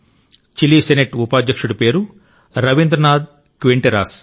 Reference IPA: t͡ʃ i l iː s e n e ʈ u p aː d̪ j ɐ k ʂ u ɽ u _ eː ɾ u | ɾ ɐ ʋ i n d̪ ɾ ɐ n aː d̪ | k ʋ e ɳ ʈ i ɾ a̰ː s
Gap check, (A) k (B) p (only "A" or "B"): B